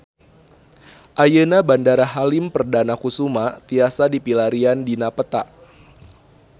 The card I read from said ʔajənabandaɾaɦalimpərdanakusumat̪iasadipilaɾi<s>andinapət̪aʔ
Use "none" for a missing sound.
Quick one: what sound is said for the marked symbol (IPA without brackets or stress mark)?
none